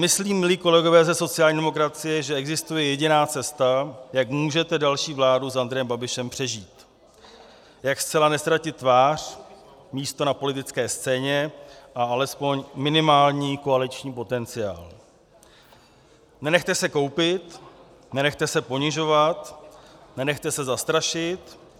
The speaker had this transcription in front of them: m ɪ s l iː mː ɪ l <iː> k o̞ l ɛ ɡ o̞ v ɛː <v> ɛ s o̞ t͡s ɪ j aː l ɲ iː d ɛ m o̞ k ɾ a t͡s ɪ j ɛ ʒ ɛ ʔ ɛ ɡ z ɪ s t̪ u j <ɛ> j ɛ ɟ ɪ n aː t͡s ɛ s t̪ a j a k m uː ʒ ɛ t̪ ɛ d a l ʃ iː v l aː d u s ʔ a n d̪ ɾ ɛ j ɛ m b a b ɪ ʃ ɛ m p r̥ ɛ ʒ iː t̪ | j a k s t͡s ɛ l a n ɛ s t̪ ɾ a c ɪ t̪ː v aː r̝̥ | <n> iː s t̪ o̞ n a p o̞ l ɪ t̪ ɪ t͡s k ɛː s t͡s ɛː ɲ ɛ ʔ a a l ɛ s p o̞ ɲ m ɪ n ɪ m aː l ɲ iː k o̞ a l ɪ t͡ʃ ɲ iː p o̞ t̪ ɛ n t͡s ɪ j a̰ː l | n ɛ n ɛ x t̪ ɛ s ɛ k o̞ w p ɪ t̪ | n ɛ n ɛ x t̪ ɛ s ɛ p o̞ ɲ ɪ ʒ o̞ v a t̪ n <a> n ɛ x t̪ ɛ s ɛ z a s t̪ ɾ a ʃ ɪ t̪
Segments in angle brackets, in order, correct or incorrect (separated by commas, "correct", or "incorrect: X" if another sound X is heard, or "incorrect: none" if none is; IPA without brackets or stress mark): correct, incorrect: z, correct, incorrect: m, incorrect: ɛ